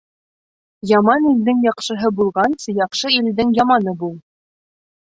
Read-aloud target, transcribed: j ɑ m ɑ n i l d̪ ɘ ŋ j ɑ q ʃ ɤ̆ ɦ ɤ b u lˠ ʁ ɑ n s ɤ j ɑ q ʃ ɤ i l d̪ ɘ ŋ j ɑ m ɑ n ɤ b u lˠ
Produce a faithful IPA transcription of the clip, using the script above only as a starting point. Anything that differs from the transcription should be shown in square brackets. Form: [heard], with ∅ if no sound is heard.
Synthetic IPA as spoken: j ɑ m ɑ n i l d̪ ɘ ŋ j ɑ q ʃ ɤ̆ ɦ ɤ b u lˠ ʁ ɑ n s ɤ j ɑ q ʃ ɤ i l d̪ ɘ ŋ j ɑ m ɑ n ɤ b u lˠ